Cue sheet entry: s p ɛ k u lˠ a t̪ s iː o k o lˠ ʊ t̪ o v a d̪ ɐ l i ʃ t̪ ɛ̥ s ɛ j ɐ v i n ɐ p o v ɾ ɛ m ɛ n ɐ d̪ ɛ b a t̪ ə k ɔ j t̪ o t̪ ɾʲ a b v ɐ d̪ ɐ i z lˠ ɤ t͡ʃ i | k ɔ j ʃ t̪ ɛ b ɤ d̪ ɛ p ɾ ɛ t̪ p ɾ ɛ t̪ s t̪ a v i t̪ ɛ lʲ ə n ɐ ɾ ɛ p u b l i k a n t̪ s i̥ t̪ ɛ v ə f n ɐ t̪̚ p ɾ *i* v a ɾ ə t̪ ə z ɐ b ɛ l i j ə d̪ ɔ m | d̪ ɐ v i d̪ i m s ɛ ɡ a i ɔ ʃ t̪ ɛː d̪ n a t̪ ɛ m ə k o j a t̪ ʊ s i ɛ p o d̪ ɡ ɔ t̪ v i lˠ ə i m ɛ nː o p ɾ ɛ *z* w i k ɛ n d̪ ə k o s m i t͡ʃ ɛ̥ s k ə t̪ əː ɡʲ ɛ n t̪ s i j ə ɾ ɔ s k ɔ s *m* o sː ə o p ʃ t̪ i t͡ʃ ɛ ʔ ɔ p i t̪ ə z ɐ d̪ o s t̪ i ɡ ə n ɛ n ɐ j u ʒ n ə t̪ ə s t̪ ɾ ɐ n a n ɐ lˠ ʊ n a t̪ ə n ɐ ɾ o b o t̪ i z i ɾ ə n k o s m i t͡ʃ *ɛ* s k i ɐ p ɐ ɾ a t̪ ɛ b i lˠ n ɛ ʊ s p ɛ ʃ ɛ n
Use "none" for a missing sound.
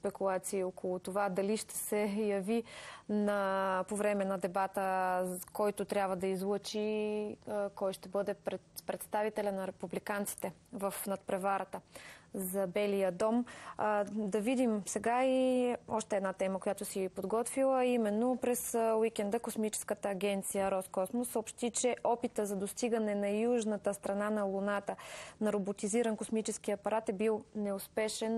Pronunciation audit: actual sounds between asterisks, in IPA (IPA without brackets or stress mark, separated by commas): ɛ, s, m, ɛ